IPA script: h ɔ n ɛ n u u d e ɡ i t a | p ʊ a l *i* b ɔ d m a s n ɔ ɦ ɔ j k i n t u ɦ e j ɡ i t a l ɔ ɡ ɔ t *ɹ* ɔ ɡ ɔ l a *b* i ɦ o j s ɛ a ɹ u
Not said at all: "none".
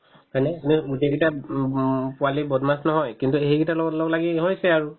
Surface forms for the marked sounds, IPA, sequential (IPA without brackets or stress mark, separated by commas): i, l, ɡ